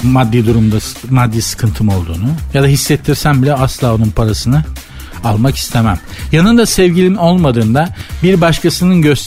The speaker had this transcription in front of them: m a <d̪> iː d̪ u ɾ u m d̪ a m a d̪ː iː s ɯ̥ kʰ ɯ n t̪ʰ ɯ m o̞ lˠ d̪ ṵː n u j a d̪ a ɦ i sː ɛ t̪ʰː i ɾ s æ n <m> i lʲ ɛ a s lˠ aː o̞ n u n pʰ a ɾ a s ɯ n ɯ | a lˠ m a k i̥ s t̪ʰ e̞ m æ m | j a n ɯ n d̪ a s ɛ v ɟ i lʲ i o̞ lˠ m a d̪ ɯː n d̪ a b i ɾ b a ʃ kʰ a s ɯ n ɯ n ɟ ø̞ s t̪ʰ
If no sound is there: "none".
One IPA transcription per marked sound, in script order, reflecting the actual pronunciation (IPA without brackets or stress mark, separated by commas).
d̪ː, b